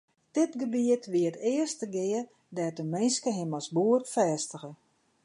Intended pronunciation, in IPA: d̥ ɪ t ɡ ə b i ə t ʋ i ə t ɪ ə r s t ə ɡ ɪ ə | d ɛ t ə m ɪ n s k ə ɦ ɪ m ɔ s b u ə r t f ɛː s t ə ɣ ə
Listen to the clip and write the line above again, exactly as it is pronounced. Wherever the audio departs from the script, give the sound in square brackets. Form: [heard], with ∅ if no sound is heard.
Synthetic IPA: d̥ ɪ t ɡ ə b i ə t ʋ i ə t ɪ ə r s t ə ɡ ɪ ə | d ɛ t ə m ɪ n s k ə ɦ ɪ m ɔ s b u ə r t f ɛː s t ə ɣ ə